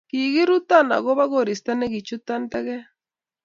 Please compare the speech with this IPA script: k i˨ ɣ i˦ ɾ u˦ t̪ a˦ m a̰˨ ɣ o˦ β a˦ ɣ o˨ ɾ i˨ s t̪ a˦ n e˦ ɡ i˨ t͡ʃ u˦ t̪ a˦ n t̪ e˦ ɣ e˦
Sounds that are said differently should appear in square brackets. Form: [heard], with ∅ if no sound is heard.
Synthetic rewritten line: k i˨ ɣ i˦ ɾ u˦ t̪ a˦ [n] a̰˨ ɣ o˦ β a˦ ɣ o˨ ɾ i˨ s t̪ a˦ n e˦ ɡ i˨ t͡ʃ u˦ t̪ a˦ n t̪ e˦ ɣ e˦